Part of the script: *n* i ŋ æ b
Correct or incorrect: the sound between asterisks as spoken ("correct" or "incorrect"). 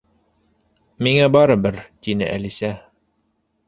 incorrect